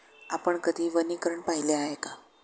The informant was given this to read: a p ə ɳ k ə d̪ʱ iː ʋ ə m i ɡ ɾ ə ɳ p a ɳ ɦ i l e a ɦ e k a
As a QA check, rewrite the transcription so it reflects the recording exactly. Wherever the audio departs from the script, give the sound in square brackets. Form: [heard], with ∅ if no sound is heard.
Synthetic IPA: a p ə ɳ k ə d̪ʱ iː ʋ ə [n] i [k] ɾ ə ɳ p a [∅] ɦ i l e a ɦ e k a